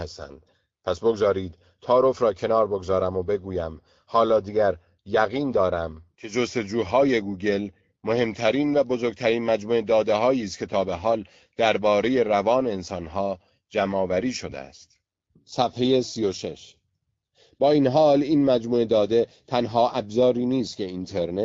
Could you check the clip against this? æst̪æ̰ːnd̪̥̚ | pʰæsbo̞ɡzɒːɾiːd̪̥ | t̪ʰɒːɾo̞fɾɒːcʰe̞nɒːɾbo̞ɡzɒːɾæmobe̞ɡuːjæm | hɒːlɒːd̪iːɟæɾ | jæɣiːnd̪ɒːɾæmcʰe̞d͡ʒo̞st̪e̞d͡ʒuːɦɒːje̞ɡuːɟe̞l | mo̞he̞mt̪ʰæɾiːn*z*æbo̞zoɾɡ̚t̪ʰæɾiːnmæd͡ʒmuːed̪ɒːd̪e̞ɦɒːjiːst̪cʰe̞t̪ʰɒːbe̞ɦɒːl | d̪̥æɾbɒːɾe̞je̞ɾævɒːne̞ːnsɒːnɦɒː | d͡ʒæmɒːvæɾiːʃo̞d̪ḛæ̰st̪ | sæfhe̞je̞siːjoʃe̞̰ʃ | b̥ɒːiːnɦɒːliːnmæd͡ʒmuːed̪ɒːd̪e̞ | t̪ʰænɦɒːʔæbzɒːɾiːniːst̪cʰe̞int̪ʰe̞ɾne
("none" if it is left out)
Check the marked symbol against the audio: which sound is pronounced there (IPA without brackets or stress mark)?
v